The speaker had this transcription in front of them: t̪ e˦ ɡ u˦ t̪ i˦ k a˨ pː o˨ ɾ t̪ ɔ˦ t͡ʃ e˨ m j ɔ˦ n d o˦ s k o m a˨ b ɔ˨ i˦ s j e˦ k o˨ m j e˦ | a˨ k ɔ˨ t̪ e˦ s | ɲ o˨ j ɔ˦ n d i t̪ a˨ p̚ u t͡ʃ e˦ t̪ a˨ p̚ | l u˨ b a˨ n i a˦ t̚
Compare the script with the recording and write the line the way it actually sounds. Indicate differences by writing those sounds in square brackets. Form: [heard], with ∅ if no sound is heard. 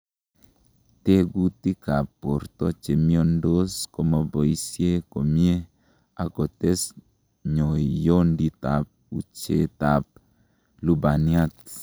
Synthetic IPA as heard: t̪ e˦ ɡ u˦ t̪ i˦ k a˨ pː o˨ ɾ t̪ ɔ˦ t͡ʃ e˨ m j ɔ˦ n d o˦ s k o m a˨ b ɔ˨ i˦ s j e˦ k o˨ m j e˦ | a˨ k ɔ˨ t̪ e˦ s | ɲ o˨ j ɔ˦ n d i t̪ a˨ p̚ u t͡ʃ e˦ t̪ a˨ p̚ | l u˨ b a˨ n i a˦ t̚